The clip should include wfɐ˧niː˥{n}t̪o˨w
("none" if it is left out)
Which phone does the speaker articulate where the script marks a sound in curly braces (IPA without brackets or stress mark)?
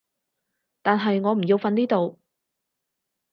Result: none